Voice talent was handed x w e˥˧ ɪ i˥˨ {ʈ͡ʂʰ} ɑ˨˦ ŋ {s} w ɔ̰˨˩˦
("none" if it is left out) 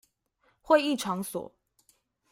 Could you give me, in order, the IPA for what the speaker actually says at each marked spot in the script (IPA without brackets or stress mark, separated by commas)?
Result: ʈ͡ʂʰ, s